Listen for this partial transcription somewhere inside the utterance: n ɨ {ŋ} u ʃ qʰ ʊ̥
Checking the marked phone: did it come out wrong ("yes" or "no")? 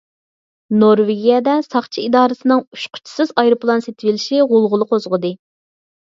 no